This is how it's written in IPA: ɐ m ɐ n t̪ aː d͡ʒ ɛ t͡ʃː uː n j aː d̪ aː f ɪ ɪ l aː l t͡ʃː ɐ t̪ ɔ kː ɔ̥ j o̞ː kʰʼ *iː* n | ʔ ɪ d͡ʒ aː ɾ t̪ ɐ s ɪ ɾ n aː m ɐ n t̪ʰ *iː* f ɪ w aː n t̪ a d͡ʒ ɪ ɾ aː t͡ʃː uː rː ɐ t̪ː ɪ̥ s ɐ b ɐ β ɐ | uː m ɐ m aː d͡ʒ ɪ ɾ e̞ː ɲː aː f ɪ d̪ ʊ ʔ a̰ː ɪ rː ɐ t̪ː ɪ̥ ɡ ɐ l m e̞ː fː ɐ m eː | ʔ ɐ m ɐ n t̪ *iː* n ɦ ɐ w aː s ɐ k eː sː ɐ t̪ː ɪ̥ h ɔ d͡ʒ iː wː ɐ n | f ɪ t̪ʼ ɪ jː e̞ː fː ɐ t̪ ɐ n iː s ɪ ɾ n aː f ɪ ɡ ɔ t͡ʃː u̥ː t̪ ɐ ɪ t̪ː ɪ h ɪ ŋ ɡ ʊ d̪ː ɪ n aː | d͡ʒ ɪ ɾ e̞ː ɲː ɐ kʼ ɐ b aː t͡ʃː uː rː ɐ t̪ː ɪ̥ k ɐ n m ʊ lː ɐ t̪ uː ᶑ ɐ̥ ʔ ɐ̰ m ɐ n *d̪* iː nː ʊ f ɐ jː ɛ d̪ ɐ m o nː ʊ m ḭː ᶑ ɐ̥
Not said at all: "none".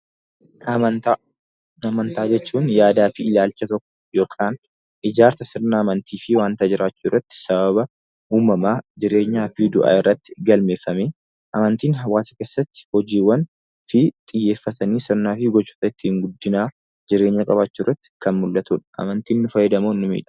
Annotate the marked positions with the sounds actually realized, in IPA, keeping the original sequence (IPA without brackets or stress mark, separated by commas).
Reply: aː, iː, iː, t̪